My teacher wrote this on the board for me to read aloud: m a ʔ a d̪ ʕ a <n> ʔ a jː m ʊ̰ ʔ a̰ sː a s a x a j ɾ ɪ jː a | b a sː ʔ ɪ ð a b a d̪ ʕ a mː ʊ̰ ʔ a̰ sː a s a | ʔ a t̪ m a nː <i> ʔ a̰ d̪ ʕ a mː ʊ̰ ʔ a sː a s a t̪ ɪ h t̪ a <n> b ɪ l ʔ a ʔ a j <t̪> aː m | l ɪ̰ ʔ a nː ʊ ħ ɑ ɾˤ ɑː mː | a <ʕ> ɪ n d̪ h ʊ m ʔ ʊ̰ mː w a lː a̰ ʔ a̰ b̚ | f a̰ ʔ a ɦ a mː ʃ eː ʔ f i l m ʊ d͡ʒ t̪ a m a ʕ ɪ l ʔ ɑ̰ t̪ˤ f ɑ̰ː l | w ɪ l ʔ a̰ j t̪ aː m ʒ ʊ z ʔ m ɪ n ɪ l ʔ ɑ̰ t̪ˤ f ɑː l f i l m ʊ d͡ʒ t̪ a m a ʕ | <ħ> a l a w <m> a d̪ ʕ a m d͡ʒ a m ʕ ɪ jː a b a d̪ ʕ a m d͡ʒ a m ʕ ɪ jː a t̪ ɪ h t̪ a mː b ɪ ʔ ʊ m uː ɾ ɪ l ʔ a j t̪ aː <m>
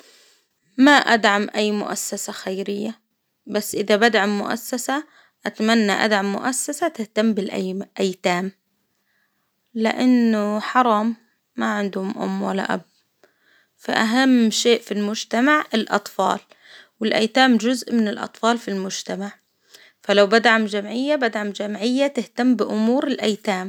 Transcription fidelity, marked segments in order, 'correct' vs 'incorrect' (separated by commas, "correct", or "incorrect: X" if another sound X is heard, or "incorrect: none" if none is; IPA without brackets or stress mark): incorrect: m, incorrect: a, incorrect: m, correct, correct, incorrect: f, incorrect: b, correct